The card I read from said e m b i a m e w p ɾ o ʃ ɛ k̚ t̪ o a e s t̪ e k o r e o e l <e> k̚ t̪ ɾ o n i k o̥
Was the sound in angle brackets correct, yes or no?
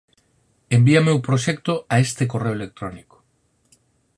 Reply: yes